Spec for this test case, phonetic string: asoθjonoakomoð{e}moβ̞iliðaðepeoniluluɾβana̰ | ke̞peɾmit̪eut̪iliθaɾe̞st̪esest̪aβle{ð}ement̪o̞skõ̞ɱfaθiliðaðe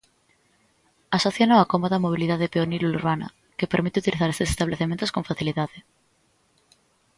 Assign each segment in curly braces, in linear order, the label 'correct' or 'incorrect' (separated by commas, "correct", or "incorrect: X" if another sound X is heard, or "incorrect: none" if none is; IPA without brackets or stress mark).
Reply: incorrect: a, incorrect: θ